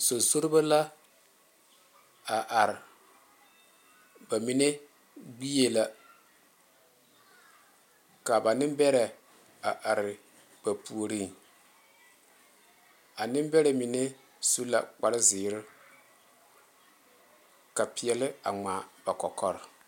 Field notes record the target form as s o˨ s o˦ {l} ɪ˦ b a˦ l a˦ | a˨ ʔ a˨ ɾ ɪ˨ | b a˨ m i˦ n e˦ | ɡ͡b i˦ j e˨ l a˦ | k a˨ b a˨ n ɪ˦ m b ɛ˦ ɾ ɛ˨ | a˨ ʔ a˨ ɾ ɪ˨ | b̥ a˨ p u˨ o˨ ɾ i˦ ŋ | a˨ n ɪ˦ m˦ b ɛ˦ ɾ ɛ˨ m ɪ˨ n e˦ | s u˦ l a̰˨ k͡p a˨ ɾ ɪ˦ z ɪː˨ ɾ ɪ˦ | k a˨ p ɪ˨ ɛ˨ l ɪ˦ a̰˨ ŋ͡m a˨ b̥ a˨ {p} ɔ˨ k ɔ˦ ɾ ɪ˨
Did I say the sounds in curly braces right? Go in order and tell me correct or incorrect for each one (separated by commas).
incorrect, incorrect